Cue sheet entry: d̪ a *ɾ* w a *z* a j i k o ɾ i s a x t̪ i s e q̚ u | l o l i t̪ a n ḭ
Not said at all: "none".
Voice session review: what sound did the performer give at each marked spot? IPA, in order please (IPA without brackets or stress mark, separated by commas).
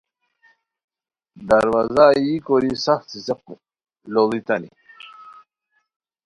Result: ɾ, z